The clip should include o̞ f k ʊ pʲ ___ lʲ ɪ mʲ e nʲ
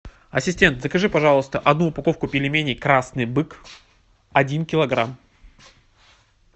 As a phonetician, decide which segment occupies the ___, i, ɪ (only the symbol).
ɪ